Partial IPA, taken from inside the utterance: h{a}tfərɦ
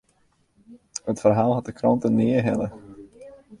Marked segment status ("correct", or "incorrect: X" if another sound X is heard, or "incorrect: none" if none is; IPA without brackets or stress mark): incorrect: ə